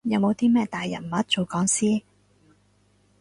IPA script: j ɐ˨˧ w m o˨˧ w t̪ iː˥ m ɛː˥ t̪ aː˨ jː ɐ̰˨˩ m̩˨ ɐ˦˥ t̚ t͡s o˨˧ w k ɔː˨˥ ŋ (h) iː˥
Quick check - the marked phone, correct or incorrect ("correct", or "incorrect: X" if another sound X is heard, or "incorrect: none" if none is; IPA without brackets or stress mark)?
incorrect: s